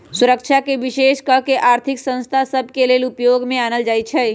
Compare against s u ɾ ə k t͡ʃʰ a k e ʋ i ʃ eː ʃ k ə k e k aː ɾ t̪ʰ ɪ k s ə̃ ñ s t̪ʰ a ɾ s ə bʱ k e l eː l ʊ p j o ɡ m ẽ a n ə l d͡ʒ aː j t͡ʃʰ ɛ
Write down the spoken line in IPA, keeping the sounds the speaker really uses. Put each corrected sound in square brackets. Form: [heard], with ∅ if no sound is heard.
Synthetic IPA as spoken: s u ɾ ə k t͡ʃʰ a k e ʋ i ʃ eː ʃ k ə k e [ʔ] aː ɾ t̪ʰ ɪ k s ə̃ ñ s t̪ʰ a [∅] s ə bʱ k e l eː l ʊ p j o ɡ m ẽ a n ə l d͡ʒ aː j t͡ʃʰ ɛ